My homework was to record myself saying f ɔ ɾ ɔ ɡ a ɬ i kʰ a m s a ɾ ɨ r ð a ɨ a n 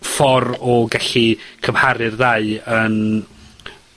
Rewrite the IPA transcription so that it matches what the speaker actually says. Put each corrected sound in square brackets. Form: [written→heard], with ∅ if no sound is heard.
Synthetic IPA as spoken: f ɔ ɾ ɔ ɡ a ɬ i kʰ [a→ə] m [s→h] a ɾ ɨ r ð a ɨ [a→ə] n